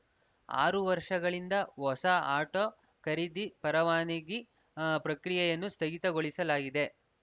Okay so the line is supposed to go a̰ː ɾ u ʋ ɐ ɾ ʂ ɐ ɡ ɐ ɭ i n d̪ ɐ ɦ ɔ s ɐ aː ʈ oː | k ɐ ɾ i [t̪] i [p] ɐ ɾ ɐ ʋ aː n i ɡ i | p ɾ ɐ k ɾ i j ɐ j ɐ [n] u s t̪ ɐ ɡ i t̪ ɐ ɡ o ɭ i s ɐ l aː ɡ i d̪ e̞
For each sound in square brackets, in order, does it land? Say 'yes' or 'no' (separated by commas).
no, yes, no